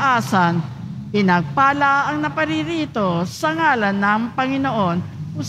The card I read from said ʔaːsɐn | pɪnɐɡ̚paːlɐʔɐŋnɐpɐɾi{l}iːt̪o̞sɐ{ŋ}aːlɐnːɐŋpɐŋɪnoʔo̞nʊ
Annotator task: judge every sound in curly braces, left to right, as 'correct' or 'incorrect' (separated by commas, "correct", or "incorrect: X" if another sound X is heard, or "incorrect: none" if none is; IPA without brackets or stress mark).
incorrect: ɾ, correct